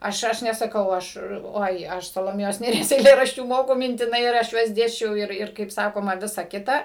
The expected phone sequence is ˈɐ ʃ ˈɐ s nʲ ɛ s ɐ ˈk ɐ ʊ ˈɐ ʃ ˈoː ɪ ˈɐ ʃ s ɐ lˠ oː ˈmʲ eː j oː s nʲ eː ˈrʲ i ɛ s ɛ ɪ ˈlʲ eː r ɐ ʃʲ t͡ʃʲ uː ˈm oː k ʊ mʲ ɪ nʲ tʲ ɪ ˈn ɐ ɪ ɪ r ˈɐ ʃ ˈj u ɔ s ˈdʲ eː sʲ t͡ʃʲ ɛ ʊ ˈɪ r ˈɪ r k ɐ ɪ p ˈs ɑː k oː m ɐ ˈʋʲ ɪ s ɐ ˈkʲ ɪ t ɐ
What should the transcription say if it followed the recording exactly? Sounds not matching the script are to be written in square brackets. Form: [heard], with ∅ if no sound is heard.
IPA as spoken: ˈɐ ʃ ˈɐ [ʃ] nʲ ɛ s ɐ ˈk ɐ ʊ ˈɐ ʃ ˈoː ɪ ˈɐ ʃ s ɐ lˠ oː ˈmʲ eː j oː s nʲ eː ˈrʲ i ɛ s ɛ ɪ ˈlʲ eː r ɐ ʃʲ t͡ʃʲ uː ˈm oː k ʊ mʲ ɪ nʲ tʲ ɪ ˈn ɐ ɪ ɪ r ˈɐ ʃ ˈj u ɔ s ˈdʲ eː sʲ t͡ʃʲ ɛ ʊ ˈɪ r ˈɪ r k ɐ ɪ p ˈs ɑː k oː m ɐ ˈʋʲ ɪ s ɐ ˈkʲ ɪ t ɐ